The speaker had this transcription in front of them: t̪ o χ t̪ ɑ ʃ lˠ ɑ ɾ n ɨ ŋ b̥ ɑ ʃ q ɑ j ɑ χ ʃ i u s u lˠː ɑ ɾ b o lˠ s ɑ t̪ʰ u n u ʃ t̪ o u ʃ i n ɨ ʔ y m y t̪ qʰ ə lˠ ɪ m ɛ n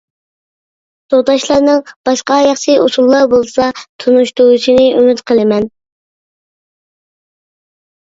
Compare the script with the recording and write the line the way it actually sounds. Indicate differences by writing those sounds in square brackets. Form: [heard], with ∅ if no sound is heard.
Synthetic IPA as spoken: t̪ o [ʁ] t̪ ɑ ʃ lˠ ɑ ɾ n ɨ ŋ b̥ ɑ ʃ q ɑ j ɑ χ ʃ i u s u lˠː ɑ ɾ b o lˠ s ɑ t̪ʰ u n u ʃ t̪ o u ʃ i n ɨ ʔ y m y t̪ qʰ ə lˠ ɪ m ɛ n